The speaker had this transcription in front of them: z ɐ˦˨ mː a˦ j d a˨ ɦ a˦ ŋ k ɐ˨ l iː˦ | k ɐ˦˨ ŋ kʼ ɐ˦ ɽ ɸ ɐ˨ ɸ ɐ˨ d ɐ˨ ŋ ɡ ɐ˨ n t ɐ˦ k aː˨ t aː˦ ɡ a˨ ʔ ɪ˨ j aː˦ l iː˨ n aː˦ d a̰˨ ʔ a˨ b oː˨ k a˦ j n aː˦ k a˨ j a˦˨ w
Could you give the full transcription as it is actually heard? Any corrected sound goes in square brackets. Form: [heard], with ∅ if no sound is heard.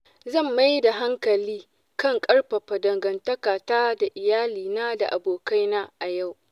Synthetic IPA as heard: z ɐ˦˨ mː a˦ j d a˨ ɦ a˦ ŋ k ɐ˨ l iː˦ | k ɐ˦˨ ŋ kʼ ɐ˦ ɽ ɸ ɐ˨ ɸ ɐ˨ d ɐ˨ ŋ ɡ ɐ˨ n t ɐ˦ k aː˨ t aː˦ [d] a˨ ʔ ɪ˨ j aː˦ l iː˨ n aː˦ d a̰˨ ʔ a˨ b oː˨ k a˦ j n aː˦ [ʔ] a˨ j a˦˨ w